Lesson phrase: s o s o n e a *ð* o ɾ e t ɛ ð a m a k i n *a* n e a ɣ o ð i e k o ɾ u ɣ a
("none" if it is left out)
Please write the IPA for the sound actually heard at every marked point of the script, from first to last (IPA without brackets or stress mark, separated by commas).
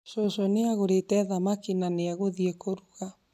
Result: ɣ, a